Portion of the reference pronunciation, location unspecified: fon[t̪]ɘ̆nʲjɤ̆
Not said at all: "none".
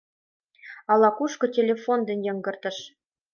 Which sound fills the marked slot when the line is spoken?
d̪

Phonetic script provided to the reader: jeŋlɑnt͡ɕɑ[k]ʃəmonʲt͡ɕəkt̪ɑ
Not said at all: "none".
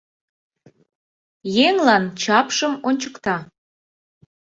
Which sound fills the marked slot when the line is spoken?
p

